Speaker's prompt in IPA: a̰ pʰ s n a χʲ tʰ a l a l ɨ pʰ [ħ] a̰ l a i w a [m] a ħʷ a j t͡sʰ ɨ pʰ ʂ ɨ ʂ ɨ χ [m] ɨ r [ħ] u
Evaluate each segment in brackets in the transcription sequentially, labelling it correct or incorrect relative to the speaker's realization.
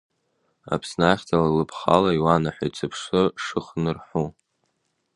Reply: incorrect: χ, incorrect: n, incorrect: n, correct

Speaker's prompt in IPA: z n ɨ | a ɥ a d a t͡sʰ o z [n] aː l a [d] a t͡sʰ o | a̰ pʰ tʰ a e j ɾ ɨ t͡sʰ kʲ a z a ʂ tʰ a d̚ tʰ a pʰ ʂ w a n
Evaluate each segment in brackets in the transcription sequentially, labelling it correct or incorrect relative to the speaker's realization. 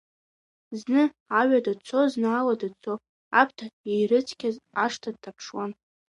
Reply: correct, correct

